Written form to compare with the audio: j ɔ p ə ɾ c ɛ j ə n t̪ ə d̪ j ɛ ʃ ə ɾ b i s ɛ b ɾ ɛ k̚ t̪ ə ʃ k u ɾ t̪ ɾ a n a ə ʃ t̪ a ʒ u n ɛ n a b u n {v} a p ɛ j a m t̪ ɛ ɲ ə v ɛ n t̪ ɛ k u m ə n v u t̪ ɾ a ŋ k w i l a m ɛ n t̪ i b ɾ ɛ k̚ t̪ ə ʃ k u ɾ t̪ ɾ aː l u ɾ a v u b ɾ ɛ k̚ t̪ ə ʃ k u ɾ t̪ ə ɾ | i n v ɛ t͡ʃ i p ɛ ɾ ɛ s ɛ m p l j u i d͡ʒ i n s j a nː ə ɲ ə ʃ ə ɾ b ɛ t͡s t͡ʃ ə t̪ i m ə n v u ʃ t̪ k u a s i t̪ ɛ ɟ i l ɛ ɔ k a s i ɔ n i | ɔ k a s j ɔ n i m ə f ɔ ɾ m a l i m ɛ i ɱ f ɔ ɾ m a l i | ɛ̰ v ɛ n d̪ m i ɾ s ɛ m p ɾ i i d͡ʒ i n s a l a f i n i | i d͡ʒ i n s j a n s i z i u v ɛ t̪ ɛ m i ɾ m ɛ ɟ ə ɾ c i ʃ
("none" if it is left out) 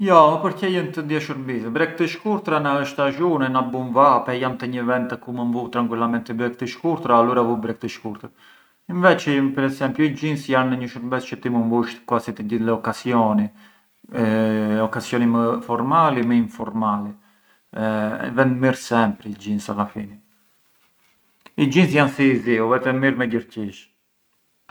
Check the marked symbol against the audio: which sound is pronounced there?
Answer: v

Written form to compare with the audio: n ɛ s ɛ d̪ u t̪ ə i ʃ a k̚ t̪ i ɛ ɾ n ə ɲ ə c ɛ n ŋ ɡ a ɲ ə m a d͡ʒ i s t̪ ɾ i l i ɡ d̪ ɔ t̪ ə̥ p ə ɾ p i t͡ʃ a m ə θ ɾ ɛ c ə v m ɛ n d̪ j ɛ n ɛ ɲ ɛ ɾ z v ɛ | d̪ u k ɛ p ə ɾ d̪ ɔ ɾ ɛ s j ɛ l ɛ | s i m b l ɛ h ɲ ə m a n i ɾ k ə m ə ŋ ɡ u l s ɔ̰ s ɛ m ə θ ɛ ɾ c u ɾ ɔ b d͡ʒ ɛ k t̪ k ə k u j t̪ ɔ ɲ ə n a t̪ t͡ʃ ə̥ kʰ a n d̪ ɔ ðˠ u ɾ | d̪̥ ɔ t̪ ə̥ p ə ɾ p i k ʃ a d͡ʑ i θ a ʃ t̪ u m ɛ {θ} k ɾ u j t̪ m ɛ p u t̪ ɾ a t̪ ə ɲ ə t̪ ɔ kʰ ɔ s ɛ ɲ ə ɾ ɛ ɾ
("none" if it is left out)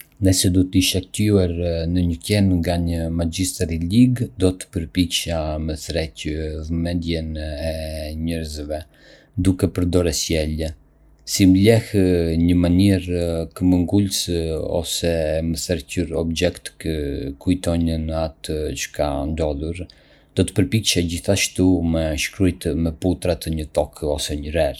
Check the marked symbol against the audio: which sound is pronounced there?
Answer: ʃ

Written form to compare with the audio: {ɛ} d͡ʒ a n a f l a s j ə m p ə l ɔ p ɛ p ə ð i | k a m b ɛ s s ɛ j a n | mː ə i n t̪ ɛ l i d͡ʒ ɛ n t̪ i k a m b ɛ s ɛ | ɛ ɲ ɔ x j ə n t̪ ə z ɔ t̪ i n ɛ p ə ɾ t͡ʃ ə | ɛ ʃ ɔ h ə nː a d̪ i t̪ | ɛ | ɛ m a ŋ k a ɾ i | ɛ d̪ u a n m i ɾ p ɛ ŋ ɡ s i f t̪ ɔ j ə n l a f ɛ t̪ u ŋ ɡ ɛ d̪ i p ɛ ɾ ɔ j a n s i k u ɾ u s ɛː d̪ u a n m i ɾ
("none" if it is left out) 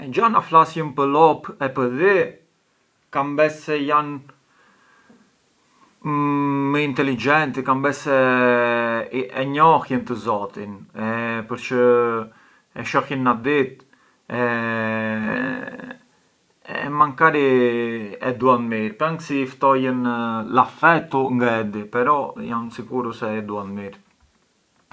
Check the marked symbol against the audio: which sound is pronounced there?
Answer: ɛ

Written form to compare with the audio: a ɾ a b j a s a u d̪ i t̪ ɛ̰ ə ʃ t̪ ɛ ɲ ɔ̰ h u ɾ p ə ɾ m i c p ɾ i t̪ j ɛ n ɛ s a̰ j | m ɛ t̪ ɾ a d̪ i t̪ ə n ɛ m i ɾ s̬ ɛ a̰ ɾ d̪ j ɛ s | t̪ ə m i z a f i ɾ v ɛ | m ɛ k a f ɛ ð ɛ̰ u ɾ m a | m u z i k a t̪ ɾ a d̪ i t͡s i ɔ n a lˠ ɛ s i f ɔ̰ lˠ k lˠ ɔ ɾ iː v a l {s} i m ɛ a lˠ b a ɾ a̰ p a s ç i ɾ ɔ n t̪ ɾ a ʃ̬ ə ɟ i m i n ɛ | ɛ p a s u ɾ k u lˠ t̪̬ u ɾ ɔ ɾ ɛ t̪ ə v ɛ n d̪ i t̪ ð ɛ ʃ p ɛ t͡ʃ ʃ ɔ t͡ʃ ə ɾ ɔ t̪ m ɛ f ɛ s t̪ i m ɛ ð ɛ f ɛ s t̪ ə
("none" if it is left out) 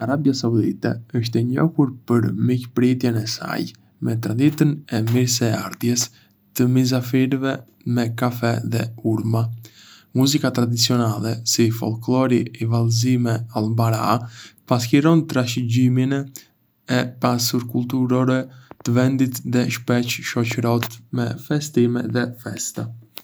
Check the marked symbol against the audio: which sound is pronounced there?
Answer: z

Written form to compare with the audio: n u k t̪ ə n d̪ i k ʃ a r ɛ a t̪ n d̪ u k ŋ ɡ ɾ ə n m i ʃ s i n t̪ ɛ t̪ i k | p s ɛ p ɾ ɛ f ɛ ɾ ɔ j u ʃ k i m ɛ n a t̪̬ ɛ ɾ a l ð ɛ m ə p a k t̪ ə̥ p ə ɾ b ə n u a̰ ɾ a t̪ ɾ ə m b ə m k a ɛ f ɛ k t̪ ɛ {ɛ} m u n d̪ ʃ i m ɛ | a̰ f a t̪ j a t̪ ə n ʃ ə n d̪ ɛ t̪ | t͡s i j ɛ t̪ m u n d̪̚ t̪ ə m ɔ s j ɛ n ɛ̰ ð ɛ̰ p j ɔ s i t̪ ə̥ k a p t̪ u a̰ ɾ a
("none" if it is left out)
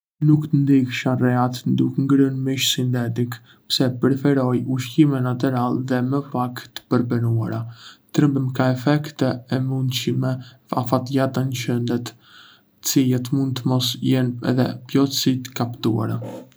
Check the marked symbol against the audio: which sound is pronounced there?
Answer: ɛ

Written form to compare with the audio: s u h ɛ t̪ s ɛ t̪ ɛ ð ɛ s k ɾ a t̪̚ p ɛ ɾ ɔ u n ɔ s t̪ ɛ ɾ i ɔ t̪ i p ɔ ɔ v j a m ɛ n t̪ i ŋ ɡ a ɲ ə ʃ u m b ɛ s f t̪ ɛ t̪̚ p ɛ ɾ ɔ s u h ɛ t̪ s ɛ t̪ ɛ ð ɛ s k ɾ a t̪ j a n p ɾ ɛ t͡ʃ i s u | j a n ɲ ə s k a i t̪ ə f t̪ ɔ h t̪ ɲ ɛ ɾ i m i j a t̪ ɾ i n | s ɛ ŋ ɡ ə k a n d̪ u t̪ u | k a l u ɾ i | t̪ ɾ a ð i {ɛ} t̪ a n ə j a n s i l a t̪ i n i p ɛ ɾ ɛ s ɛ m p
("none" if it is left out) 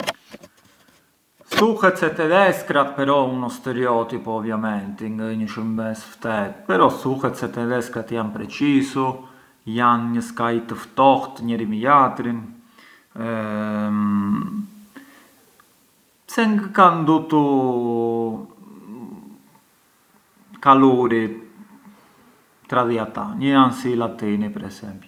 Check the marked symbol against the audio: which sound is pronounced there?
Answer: a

